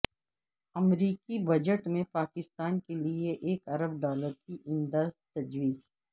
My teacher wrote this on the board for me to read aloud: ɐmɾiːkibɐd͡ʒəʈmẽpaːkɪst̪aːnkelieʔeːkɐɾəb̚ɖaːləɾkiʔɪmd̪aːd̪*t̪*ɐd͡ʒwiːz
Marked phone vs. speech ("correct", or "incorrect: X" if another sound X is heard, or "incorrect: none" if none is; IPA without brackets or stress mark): correct